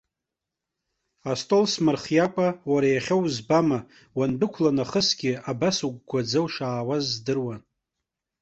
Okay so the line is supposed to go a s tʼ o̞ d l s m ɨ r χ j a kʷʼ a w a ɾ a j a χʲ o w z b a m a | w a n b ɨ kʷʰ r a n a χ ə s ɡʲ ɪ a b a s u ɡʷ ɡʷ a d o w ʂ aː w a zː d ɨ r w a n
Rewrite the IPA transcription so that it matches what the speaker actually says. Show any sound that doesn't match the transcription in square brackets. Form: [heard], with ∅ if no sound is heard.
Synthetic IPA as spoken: a s tʼ o̞ [∅] l s m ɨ r χ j a kʷʼ a w a ɾ a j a χʲ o w z b a m a | w a n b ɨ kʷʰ [l] a n a χ ə s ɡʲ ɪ a b a s u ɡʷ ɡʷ a [d͡z] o w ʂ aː w a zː d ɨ r w a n